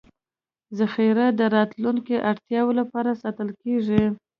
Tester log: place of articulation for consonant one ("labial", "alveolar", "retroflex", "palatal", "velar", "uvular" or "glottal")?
alveolar